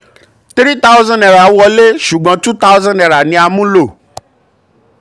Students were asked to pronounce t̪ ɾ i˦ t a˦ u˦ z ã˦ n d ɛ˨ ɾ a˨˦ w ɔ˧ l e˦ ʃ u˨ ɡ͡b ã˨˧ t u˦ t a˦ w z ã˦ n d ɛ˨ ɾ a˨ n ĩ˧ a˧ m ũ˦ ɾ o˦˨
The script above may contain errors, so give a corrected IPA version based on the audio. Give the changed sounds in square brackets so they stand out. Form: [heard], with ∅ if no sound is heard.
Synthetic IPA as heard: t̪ ɾ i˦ t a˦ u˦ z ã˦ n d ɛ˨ ɾ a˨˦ w ɔ˧ l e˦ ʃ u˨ ɡ͡b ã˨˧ t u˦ t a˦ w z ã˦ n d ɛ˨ ɾ a˨ n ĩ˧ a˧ m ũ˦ [l] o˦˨